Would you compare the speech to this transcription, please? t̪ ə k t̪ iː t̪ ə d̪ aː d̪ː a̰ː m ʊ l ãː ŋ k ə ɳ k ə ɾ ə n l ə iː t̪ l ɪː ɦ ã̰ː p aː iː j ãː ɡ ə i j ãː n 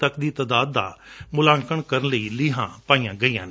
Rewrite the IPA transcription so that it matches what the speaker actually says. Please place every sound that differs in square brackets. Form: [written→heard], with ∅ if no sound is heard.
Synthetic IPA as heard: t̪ ə k [t̪→d̪] iː t̪ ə d̪ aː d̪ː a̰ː m ʊ l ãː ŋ k ə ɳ k ə ɾ ə n l ə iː [t̪→∅] l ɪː ɦ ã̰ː p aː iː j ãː ɡ ə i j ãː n